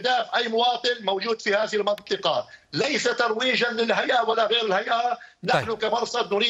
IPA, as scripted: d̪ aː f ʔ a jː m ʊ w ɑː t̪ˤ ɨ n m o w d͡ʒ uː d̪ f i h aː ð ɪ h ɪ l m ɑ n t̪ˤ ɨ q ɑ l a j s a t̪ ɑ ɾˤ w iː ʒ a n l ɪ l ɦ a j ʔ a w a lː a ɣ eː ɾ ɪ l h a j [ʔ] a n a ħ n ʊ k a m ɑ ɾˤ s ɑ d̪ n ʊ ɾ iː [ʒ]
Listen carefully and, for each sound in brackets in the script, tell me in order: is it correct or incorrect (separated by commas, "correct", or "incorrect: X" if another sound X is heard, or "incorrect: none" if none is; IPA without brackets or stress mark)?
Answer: correct, incorrect: none